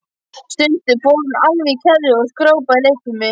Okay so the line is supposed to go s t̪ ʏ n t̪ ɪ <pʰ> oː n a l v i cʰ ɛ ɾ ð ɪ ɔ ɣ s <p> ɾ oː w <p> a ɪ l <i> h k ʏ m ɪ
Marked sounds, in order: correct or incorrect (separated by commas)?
incorrect, incorrect, correct, incorrect